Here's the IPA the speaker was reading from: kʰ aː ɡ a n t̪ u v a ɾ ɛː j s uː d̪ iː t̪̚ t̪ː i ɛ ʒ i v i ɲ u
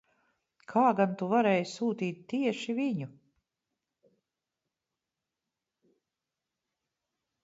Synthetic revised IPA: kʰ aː ɡ a n t̪ u v a ɾ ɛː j s uː t̪ iː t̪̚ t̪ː i ɛ ʃ i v i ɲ u

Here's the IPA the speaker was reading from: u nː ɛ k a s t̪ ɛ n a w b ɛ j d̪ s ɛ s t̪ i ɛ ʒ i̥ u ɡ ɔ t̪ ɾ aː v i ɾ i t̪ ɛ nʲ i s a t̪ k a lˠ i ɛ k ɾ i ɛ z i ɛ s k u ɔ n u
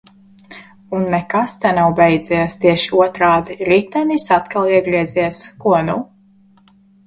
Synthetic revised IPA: u nː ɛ k a s t̪ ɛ n a w b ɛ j d̪ z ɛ s t̪ i ɛ ʃ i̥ u ɔ t̪ ɾ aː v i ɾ i t̪ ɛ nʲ i s a t̪ k a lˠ i ɛ ɡ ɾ i ɛ z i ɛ s k u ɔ n u

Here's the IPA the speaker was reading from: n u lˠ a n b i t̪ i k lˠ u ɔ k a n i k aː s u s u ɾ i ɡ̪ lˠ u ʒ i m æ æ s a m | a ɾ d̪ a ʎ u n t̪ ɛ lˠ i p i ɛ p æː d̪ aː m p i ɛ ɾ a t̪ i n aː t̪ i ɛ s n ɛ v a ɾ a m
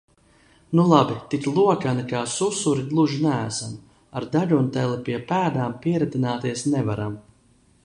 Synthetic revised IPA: n u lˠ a b i t̪ i k lˠ u ɔ k a n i k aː s u s u ɾ i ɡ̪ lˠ u ʒ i n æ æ s a m | a ɾ d̪ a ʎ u n t̪ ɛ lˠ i p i ɛ p æː d̪ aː m p i ɛ ɾ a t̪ i n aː t̪ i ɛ s n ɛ v a ɾ a m

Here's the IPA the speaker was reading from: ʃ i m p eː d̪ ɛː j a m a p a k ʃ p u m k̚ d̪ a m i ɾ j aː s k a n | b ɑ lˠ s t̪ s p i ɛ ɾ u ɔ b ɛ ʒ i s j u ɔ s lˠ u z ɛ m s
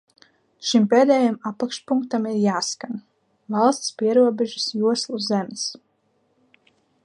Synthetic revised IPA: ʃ i m p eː d̪ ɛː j a m a p a k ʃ p u ŋ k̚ t̪ a m i ɾ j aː s k a n | v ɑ lˠ s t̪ s p i ɛ ɾ u ɔ b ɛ ʒ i s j u ɔ s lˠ u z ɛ m s

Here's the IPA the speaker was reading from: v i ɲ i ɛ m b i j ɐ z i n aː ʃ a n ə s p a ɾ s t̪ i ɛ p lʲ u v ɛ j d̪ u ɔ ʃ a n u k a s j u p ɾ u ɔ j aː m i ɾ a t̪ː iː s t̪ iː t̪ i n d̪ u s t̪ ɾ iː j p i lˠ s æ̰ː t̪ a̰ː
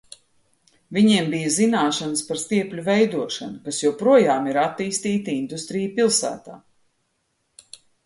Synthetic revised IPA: v i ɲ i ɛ m b i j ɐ z i n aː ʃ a n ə s p a ɾ s t̪ i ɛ p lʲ u v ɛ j d̪ u ɔ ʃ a n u k a s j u p ɾ u ɔ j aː m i ɾ a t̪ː iː s t̪ iː t̪ i n d̪ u s t̪ ɾ i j p i lˠ s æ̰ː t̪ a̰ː

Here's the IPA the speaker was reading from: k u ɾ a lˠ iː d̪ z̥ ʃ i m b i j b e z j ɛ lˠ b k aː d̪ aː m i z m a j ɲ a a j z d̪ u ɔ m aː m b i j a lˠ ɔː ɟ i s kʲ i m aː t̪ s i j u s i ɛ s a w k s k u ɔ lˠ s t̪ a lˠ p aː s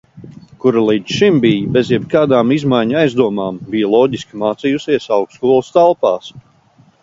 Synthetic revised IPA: k u ɾ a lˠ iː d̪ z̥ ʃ i m b i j b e z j ɛ b k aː d̪ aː m i z m a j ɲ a a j z d̪ u ɔ m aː m b i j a lˠ ɔː ɟ i s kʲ i m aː t̪ s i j u s i ɛ s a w k s k u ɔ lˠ s t̪ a lˠ p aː s

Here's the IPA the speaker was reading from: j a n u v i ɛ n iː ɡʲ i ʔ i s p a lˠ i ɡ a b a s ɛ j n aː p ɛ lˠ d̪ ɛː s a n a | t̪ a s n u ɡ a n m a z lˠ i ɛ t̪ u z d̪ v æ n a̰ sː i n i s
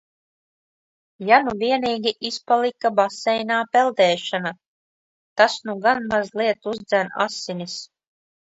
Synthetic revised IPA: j a n u v i ɛ n iː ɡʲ i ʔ i s p a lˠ i k a b a s ɛ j n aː p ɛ lˠ d̪ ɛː ʃ a n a | t̪ a s n u ɡ a n m a z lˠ i ɛ t̪ u z d̪ z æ n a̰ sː i n i s

